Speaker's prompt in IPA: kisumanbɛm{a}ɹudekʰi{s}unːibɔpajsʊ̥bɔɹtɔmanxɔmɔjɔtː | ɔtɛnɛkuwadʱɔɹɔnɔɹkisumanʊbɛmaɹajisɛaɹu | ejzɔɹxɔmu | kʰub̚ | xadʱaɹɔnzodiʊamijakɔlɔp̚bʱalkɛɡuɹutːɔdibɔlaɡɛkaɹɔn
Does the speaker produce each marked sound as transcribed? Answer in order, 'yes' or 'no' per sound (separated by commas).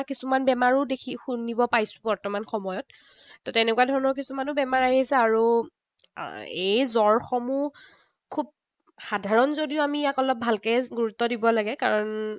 yes, no